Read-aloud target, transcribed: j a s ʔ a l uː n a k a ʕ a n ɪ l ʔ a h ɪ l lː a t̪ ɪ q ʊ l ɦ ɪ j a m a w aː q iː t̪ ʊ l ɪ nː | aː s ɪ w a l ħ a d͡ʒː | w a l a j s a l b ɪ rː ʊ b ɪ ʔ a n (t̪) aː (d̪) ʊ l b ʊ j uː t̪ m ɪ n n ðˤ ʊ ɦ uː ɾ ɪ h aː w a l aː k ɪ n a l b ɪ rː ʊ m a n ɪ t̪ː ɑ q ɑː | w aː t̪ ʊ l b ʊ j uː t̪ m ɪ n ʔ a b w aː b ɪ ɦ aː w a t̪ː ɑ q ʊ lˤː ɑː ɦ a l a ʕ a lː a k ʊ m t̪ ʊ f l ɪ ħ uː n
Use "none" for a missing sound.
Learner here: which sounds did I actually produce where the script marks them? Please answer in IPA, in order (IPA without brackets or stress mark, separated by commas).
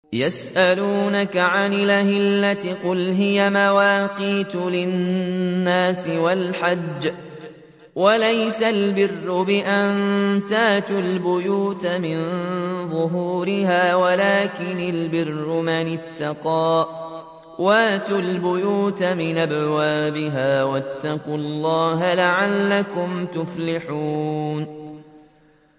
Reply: t̪, t̪